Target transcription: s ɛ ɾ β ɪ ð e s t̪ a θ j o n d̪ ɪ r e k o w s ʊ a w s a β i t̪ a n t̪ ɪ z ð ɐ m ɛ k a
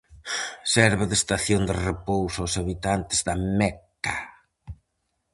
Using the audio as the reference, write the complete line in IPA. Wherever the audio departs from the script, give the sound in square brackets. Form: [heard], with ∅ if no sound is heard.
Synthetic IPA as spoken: s ɛ ɾ β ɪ ð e s t̪ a θ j o n d̪ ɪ r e [p] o w s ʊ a w s a β i t̪ a n t̪ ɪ z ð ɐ m ɛ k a